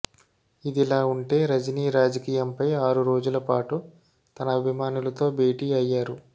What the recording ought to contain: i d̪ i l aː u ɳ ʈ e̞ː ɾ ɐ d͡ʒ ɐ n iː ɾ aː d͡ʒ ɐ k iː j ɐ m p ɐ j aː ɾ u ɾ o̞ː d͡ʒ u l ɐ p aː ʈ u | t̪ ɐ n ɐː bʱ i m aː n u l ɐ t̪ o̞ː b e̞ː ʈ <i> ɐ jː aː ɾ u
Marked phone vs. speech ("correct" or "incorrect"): incorrect